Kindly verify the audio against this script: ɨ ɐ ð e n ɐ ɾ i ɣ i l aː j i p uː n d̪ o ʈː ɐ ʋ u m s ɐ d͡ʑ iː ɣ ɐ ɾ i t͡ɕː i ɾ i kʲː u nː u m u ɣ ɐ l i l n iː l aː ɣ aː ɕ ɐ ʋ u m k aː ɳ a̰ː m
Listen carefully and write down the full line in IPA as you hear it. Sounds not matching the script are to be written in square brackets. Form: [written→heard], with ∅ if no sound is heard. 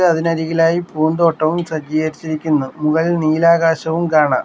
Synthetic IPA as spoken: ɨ ɐ ð [e→i] n ɐ ɾ i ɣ i l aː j i p uː n d̪ o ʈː ɐ ʋ u m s ɐ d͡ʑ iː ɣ ɐ ɾ i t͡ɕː i ɾ i kʲː u nː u m u ɣ ɐ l i l n iː l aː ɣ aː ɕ ɐ ʋ u m k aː ɳ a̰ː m